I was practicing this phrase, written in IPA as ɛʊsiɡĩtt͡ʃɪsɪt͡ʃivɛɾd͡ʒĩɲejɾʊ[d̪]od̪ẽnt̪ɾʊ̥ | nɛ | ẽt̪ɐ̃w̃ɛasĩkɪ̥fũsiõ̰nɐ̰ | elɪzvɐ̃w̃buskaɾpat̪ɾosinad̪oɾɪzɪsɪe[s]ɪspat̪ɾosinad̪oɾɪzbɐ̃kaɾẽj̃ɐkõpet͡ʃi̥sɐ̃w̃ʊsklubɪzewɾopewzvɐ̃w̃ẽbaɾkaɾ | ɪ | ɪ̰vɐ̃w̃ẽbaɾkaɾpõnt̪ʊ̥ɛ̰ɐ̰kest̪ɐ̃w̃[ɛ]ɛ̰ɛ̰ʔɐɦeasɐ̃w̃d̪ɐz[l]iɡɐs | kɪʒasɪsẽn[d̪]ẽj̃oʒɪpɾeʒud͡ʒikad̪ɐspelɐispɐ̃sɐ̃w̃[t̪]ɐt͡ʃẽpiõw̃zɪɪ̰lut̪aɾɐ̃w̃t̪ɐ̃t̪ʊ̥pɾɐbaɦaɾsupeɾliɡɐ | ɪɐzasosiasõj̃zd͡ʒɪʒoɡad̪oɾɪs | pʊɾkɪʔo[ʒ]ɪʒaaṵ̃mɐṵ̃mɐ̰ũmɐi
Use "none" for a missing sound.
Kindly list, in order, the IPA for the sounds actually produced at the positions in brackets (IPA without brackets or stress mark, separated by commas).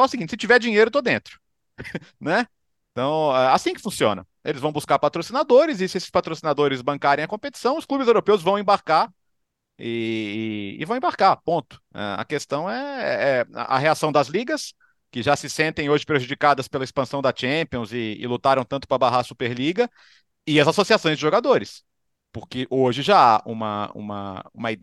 t̪, s, ɛ, l, t̪, d̪, ʒ